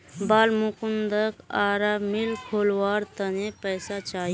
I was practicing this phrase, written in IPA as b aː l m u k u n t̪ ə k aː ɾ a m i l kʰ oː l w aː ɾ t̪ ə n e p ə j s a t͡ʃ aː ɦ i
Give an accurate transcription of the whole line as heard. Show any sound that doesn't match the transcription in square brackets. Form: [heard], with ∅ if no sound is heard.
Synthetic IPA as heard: b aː l m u k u n [d̪] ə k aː ɾ a m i l kʰ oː l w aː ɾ t̪ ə n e p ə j s a t͡ʃ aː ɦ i